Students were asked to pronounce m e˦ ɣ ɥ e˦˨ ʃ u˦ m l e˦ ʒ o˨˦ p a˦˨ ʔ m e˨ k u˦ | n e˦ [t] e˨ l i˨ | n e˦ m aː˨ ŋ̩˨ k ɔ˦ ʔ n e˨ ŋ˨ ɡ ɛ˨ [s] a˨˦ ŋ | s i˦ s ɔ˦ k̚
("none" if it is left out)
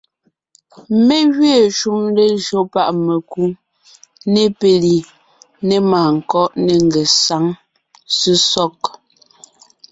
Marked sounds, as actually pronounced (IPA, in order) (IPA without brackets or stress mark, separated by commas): p, s